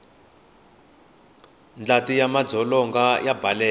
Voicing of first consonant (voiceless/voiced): voiced